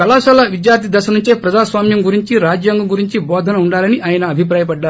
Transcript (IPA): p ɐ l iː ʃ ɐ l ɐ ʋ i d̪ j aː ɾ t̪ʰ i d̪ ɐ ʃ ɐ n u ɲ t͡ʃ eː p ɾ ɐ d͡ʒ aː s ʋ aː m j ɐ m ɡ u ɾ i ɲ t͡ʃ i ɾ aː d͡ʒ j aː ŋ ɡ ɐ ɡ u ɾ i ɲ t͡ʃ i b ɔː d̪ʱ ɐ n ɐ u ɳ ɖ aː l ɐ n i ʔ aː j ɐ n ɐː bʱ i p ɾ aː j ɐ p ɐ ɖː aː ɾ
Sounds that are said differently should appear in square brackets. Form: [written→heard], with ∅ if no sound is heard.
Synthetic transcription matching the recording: [p→k] ɐ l [iː→aː] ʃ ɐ l ɐ ʋ i d̪ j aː ɾ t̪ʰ i d̪ ɐ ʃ ɐ n u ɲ t͡ʃ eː p ɾ ɐ d͡ʒ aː s ʋ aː m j ɐ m ɡ u ɾ i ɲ t͡ʃ i ɾ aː d͡ʒ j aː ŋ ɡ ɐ ɡ u ɾ i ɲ t͡ʃ i b ɔː d̪ʱ ɐ n ɐ u ɳ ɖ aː l ɐ n i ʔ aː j ɐ n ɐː bʱ i p ɾ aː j ɐ p ɐ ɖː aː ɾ